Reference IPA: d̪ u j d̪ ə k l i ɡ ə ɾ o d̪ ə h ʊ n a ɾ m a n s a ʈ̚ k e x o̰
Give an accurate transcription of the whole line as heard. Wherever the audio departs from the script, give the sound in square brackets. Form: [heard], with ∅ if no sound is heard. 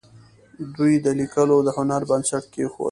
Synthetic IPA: d̪ u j d̪ ə [∅] l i [k] ə [l] o d̪ ə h ʊ n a ɾ [b] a n s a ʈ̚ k e x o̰